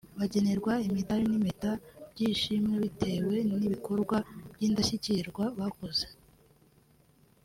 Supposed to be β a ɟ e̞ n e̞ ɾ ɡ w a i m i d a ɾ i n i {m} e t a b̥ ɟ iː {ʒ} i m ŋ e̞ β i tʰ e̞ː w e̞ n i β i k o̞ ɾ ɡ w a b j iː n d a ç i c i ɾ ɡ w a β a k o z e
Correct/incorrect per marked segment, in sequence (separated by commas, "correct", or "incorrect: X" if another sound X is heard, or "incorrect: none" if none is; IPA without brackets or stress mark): correct, incorrect: ʃ